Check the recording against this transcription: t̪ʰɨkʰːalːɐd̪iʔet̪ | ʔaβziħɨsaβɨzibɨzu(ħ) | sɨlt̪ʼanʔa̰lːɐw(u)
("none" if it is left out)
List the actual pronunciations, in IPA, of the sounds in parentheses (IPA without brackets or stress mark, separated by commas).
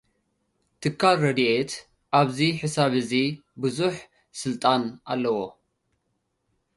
ħ, o